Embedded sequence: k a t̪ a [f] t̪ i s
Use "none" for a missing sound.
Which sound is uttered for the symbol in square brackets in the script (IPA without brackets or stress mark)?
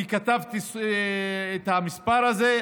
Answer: v